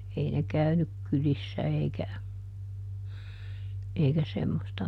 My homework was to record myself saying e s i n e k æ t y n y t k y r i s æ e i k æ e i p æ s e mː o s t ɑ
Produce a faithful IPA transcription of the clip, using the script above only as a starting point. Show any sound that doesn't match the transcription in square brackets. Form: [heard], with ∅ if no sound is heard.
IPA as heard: e [∅] i n e k æ [∅] y n y [k] k y [l] i [sː] æ e i k æ e i [k] æ s e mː o s t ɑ